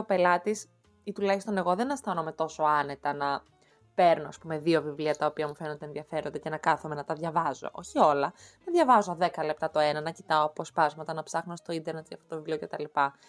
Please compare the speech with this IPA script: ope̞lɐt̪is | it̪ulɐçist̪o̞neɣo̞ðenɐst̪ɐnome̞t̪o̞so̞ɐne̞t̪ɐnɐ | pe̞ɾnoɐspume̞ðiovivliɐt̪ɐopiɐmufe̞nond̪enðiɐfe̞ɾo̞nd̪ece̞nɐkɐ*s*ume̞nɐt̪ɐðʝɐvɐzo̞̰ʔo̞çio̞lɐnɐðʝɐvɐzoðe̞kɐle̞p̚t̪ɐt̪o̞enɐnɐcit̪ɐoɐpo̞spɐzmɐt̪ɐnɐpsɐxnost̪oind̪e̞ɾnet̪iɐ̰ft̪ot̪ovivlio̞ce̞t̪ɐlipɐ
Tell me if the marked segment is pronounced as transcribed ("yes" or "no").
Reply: no